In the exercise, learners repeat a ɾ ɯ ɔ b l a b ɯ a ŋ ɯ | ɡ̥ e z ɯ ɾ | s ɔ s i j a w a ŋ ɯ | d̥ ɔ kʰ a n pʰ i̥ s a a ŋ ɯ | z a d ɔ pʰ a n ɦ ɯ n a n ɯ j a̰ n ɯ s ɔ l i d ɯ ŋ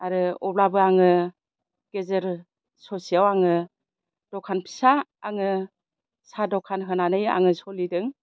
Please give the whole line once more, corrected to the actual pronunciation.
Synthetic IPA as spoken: a ɾ ɯ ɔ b l a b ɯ a ŋ ɯ | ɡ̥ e z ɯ ɾ | s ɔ s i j a w a ŋ ɯ | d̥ ɔ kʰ a n pʰ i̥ s a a ŋ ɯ | s a d ɔ kʰ a n ɦ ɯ n a n ɯ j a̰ ŋ ɯ s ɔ l i d ɯ ŋ